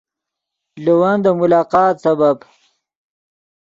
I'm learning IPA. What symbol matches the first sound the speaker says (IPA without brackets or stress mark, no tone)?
l